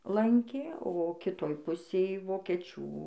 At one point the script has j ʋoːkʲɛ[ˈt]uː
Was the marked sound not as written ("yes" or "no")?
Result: yes